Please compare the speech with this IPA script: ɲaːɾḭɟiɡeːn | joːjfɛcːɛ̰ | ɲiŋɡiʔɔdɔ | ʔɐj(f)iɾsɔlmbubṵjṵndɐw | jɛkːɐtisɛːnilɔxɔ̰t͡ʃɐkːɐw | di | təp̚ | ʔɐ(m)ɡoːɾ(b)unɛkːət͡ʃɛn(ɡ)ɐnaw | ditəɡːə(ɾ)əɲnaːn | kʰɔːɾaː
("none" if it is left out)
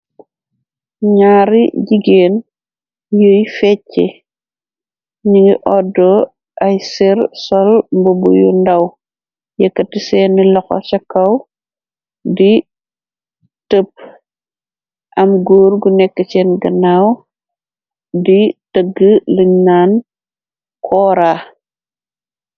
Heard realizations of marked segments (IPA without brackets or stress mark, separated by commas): s, m, ɡ, ɡ, l